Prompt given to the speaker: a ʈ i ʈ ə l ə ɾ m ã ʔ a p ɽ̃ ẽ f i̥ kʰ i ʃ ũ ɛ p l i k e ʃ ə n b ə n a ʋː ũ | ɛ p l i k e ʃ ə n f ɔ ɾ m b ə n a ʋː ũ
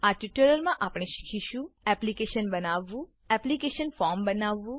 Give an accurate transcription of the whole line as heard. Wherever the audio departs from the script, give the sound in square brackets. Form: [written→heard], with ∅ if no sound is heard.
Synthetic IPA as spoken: a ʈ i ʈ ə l ə ɾ m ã ʔ a p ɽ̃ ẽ [f→ʃ] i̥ kʰ i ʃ ũ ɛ p l i k e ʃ ə n b ə n a ʋː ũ | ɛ p l i k e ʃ ə n f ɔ ɾ m b ə n a ʋː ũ